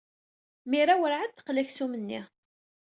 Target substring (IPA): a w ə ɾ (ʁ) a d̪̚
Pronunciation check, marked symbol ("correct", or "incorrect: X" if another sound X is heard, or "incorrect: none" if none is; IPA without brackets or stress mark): incorrect: ʕ